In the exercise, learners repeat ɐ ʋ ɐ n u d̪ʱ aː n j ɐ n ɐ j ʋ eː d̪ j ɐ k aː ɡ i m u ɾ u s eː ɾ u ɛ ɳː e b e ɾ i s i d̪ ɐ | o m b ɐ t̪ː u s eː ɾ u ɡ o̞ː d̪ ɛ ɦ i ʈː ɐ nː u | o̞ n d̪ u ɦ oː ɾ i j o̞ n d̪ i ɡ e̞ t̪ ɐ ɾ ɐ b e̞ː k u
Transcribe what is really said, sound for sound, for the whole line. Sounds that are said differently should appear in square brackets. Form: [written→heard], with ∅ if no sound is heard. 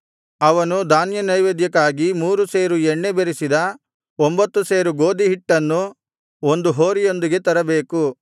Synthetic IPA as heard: ɐ ʋ ɐ n u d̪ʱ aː n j ɐ n ɐ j ʋ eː d̪ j ɐ k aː ɡ i m [u→uː] ɾ u s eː ɾ u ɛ ɳː e b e ɾ i s i d̪ ɐ | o m b ɐ t̪ː u s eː ɾ u ɡ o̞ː d̪ [ɛ→i] ɦ i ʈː ɐ nː u | o̞ n d̪ u ɦ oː ɾ i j o̞ n d̪ i ɡ e̞ t̪ ɐ ɾ ɐ b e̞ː k u